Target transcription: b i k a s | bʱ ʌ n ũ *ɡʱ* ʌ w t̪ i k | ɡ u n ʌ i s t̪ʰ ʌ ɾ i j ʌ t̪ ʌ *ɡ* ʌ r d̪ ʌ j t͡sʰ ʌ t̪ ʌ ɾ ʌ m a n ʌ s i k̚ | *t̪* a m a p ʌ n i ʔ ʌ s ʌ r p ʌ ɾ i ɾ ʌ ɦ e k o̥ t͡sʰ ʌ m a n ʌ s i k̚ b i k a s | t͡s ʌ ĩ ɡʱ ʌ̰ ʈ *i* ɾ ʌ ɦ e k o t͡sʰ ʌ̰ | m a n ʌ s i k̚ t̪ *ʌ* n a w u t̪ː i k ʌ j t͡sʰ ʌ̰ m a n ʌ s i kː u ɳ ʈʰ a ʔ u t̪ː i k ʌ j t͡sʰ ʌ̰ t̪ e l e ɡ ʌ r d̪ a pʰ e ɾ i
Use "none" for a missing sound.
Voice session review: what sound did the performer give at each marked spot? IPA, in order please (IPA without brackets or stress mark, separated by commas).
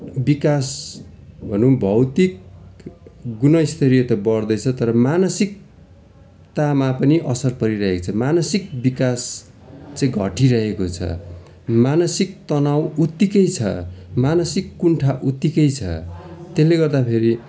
bʱ, b, t̪, i, ʌ